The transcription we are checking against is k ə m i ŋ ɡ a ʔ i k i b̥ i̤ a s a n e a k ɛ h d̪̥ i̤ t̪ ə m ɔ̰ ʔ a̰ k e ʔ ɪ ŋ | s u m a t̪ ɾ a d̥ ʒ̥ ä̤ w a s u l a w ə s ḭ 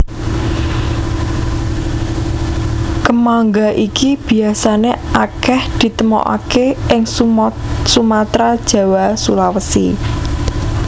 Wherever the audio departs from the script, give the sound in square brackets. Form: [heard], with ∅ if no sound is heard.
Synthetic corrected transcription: k ə m [a] ŋ ɡ a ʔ i k i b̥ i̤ a s a n e a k ɛ h d̪̥ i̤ t̪ ə m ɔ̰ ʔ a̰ k e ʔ ɪ ŋ | s u m a t̪ ɾ a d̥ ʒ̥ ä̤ w a s u l a w ə s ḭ